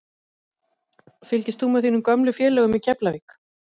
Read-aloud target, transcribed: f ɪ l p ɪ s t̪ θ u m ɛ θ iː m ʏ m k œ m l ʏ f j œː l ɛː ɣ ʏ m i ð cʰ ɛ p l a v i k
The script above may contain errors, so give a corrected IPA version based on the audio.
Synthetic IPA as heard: f ɪ l c ɪ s t̪ θ u m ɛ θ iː n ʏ m k œ m l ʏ f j ɛː l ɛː ɣ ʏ m i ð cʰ ɛ p l a v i k